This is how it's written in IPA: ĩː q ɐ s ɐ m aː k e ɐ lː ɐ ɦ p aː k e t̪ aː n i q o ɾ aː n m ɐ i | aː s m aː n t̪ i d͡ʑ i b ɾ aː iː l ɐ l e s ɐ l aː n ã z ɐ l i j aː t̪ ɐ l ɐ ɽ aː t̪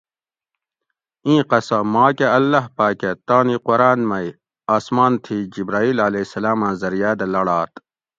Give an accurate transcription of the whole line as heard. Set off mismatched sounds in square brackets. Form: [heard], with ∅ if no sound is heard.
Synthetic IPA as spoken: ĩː q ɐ s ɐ m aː k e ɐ lː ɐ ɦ p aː k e t̪ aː n i q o ɾ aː n m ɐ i | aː s m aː n [t̪ʰ] i d͡ʑ i b ɾ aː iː l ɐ l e s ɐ l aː [m] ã z ɐ [ɾ] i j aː [d̪] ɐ l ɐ ɽ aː t̪

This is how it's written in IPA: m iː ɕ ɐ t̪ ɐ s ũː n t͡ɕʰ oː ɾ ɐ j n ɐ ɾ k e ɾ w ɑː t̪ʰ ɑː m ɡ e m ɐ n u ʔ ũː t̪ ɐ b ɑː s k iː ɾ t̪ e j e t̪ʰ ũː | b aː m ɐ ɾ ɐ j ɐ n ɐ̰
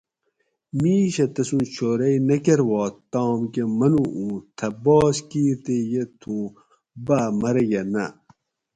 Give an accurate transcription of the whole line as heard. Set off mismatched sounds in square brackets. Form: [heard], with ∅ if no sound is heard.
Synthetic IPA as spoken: m iː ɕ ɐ t̪ ɐ s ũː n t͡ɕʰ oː ɾ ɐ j n ɐ [∅] k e ɾ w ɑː [t̪] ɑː m [k] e m ɐ n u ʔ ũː [t̪ʰ] ɐ b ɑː s k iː ɾ t̪ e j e t̪ʰ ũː | b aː m ɐ ɾ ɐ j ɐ n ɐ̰

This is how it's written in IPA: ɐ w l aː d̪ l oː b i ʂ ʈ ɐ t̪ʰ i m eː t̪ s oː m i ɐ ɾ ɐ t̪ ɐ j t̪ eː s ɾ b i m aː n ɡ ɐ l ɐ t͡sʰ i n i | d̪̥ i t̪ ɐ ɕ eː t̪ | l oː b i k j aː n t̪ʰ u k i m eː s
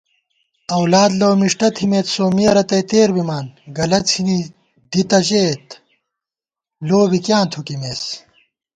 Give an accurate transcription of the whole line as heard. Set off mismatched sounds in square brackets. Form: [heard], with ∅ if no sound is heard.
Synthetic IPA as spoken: ɐ w l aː d̪ l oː [m] i ʂ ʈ ɐ t̪ʰ i m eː t̪ s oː m i ɐ ɾ ɐ t̪ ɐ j t̪ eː [∅] ɾ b i m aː n ɡ ɐ l ɐ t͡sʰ i n i | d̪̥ i t̪ ɐ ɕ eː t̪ | l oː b i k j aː n t̪ʰ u k i m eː s

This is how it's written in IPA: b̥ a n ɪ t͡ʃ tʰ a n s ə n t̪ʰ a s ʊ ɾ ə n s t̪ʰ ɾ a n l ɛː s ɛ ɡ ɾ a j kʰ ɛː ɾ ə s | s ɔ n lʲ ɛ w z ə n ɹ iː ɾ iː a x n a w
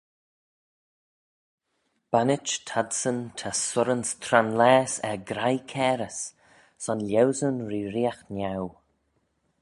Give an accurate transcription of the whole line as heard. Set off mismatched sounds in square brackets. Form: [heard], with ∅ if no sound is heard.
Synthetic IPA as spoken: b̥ a n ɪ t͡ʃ tʰ a [d] s ə n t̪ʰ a s ʊ ɾ ə n s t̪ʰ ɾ a n l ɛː s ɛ ɡ ɾ a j kʰ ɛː ɾ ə s | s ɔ n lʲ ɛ w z ə n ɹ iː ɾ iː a x n a w

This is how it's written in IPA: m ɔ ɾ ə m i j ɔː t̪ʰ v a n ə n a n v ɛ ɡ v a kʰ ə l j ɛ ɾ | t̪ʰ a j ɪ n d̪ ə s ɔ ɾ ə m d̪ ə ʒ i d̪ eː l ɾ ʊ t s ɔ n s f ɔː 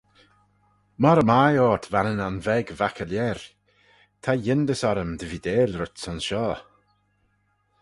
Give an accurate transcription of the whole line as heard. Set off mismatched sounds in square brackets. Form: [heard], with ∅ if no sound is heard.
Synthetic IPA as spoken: m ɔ ɾ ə m [a] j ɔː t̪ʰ v a n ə n a n v ɛ ɡ v a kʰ ə l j ɛ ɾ | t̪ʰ a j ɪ n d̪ ə s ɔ ɾ ə m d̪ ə [v] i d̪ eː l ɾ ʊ t s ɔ n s [ʃ] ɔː

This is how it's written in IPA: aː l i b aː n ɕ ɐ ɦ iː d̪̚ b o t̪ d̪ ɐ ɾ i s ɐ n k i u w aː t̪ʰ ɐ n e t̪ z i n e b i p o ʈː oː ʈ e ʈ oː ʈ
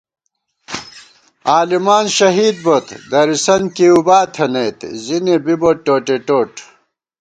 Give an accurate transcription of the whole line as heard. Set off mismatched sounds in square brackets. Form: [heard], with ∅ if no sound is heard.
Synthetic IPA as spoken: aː l i [m] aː n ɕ ɐ ɦ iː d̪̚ b o t̪ d̪ ɐ ɾ i s ɐ n k i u [b] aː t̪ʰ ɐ n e t̪ z i n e b i [b] o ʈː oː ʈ e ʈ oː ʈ

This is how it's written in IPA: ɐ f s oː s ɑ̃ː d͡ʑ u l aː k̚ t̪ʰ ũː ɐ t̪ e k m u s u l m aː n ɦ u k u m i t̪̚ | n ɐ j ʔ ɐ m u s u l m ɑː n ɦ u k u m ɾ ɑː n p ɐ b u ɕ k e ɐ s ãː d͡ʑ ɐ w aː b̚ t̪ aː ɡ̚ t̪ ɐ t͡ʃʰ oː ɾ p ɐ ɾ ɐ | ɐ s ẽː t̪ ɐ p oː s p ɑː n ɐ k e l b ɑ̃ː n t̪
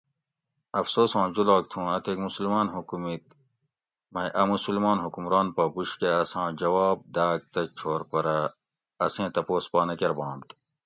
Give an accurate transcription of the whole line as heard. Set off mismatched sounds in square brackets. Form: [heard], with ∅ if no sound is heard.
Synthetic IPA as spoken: ɐ f s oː s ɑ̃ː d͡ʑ u l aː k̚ t̪ʰ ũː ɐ t̪ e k m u s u l m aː n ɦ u k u m i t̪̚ | [m] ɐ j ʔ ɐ m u s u l m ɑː n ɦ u k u m ɾ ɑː n p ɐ b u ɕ k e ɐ s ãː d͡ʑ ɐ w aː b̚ [d̪] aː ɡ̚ t̪ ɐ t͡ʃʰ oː ɾ p ɐ ɾ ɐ | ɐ s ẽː t̪ ɐ p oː s p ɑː n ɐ k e [ɾ] b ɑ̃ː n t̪

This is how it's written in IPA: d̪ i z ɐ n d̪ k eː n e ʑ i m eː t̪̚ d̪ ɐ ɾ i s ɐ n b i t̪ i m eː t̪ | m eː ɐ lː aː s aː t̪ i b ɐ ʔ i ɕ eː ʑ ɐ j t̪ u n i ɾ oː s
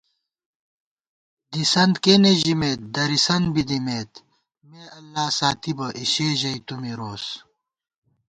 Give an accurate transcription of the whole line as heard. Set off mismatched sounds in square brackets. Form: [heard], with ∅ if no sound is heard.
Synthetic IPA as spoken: d̪ i [s] ɐ n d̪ k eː n e ʑ i m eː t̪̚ d̪ ɐ ɾ i s ɐ n b i [d̪] i m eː t̪ | m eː ɐ lː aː s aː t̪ i b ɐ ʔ i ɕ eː ʑ ɐ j t̪ u [m] i ɾ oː s

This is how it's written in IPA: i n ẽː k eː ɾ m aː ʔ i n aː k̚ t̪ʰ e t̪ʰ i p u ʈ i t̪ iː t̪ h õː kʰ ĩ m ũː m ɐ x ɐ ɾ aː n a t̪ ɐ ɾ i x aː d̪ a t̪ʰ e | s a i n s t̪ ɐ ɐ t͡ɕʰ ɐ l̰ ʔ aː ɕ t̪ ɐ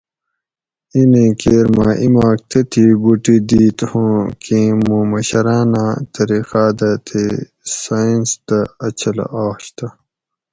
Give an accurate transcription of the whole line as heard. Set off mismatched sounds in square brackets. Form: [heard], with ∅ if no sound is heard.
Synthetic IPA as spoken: i n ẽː k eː ɾ m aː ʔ i [m] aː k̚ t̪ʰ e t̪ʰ i [b] u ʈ i [d̪] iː t̪ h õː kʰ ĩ m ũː m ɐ [ɕ] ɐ ɾ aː n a t̪ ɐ ɾ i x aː d̪ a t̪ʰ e | s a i n s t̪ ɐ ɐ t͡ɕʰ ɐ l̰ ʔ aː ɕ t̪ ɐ

